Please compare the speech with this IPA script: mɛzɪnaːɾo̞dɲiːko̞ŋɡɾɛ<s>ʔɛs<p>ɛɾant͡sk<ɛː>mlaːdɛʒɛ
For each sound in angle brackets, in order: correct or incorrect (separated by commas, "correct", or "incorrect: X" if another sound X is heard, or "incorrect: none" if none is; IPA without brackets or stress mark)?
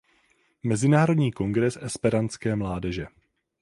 correct, correct, correct